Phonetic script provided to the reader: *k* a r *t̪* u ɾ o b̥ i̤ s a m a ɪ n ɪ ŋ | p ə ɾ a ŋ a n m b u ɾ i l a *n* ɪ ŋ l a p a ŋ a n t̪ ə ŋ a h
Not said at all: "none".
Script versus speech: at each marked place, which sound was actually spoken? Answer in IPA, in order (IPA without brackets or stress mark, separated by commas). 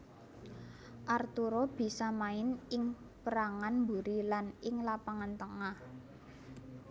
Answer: ʔ, t̪, n